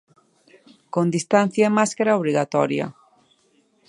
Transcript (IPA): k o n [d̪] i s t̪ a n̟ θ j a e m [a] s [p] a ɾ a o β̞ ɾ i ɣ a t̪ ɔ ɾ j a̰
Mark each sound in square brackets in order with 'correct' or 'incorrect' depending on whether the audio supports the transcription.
correct, correct, incorrect

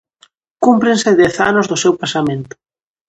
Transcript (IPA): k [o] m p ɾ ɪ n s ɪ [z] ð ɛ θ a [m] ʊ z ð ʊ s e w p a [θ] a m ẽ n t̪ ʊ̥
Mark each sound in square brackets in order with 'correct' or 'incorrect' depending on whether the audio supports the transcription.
incorrect, incorrect, incorrect, incorrect

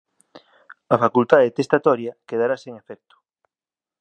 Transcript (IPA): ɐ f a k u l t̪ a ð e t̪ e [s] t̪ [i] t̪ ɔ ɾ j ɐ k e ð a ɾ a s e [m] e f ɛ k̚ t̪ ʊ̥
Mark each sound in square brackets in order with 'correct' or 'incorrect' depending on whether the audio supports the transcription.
correct, incorrect, incorrect

